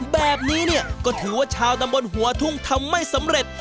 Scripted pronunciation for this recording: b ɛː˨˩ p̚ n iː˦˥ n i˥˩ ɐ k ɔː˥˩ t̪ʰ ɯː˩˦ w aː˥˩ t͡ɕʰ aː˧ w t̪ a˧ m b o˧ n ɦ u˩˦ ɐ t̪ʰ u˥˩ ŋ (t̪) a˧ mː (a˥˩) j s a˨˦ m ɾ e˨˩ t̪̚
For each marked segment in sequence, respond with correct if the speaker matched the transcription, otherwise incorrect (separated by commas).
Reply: incorrect, correct